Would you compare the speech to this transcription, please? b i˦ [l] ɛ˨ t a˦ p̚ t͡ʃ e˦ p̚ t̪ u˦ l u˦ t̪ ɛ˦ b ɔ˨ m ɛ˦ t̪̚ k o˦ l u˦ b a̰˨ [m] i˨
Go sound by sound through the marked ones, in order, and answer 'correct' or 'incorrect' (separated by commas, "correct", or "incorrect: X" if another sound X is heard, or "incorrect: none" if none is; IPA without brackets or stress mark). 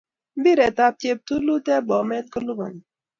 incorrect: ɾ, incorrect: n